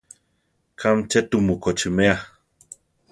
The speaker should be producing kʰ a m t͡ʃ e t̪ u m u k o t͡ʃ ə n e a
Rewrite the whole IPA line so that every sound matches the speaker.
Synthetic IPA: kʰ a m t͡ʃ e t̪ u m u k o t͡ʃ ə m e a